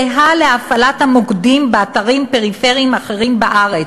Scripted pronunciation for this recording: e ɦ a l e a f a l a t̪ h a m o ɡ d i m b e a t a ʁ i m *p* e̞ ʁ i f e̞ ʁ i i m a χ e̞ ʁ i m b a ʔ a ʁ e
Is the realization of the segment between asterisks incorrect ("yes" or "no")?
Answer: no